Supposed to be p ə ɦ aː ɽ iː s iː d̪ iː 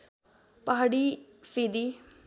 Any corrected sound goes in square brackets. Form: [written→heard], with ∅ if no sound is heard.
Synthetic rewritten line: p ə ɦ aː ɽ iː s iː d̪ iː